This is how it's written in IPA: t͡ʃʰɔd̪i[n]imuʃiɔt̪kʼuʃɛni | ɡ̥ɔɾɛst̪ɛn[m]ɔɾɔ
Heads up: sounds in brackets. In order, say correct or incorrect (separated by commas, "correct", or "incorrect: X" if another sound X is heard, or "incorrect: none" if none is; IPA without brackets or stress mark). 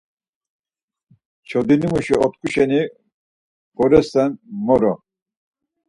correct, correct